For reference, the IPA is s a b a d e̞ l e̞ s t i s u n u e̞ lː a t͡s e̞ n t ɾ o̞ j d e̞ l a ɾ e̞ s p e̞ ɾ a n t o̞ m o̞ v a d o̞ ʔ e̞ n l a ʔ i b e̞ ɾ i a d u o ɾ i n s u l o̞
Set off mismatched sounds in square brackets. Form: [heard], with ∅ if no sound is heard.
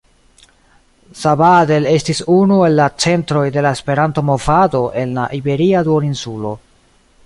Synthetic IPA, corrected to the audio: s a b a d e̞ l e̞ s t i s u n u e̞ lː a t͡s e̞ n t ɾ o̞ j d e̞ l a [∅] e̞ s p e̞ ɾ a n t o̞ m o̞ v a d o̞ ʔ e̞ n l a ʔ i b e̞ ɾ i a d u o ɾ i n s u l o̞